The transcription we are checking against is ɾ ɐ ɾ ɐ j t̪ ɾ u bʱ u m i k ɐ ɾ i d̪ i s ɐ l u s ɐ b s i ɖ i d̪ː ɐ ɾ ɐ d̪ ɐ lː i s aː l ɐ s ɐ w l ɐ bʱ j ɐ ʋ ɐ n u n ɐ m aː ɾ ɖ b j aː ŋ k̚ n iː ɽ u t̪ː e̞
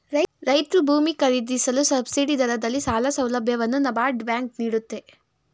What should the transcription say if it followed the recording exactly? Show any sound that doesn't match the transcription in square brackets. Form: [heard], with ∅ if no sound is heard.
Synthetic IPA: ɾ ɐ ɾ ɐ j t̪ ɾ u bʱ [uː] m i k ɐ ɾ i d̪ i s ɐ l u s ɐ b s i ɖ i [d̪] ɐ ɾ ɐ d̪ ɐ lː i s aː l ɐ s ɐ w l ɐ bʱ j ɐ ʋ ɐ [nː] u n ɐ [b] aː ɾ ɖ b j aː ŋ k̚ n iː ɽ u t̪ː e̞